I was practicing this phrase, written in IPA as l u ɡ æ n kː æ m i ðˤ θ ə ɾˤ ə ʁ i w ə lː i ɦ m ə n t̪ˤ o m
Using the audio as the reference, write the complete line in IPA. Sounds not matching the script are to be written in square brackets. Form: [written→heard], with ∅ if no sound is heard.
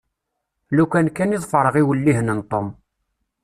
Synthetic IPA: l u [ɡ→k] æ n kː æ [m→n] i ðˤ [θ→f] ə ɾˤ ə ʁ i w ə lː i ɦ [m→n] ə n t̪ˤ o m